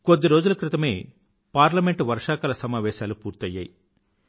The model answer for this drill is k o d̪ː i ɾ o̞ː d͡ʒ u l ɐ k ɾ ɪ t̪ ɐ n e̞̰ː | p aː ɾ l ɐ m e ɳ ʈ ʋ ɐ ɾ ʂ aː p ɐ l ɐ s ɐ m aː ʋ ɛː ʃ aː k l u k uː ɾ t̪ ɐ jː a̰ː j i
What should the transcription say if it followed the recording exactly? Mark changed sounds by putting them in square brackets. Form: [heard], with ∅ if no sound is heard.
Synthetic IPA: k o d̪ː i ɾ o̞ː d͡ʒ u l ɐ k ɾ ɪ t̪ ɐ [m] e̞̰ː | p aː ɾ l ɐ m e ɳ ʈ ʋ ɐ ɾ ʂ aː [k] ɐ l ɐ s ɐ m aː ʋ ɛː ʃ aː [∅] l u [p] uː ɾ t̪ ɐ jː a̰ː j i